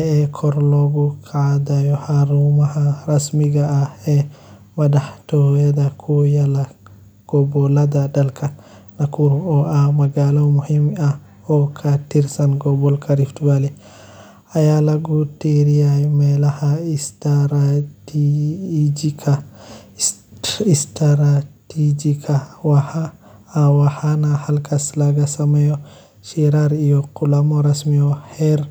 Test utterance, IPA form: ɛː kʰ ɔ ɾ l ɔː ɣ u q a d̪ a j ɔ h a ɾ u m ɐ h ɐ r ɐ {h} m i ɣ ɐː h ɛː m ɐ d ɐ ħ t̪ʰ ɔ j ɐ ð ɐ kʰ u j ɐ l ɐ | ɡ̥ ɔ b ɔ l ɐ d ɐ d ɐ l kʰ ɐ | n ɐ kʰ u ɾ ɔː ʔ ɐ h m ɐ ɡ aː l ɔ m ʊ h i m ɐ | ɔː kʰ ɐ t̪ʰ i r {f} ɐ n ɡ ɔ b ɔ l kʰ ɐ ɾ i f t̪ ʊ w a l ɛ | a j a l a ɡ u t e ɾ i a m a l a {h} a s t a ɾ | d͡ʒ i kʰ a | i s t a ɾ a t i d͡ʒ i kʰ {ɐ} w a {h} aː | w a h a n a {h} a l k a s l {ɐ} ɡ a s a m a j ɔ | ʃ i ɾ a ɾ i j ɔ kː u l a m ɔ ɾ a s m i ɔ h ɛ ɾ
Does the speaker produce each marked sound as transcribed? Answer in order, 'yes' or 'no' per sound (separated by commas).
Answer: no, no, yes, no, yes, yes, no